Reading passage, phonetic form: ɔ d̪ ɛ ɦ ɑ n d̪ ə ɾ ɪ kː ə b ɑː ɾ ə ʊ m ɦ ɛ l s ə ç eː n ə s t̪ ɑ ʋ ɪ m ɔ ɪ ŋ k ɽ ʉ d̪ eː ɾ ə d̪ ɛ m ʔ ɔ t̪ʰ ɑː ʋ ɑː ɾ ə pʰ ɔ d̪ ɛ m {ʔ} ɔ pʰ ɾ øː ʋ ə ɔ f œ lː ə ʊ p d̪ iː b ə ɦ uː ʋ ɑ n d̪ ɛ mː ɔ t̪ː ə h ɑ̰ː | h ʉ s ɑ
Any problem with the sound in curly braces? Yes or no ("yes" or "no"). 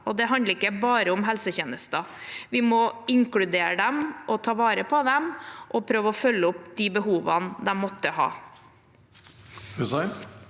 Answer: no